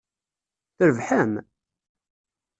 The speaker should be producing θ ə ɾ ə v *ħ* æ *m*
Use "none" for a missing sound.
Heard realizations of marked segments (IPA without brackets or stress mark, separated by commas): ħ, m